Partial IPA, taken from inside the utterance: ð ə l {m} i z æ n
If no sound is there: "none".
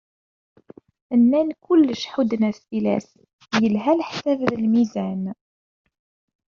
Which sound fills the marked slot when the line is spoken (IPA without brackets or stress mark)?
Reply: m